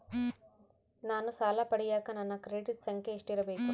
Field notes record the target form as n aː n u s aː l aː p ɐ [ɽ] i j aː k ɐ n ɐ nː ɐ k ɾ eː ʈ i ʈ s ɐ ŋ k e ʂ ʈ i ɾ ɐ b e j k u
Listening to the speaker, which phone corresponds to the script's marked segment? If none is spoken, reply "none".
ɽ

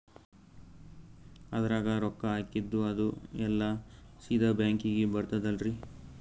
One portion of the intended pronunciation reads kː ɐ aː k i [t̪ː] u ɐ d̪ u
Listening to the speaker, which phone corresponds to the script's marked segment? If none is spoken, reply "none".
d̪ː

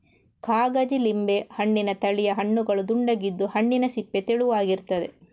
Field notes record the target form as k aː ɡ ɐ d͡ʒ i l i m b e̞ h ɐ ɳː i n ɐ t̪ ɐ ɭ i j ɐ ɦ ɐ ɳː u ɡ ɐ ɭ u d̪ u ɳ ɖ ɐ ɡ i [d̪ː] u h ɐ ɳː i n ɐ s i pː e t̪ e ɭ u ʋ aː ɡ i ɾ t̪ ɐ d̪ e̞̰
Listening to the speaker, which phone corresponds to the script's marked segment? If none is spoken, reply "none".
d̪ː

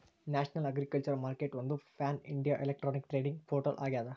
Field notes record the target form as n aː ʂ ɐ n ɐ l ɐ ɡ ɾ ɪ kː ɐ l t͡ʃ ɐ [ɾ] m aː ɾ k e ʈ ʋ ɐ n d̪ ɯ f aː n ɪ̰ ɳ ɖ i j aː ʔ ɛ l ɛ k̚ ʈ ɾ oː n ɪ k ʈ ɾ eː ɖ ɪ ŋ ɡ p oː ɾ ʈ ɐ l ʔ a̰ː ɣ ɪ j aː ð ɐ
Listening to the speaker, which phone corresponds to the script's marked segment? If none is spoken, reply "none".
ɾ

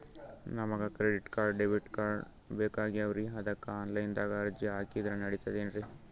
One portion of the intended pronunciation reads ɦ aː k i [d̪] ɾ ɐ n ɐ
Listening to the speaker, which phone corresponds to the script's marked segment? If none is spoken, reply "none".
d̪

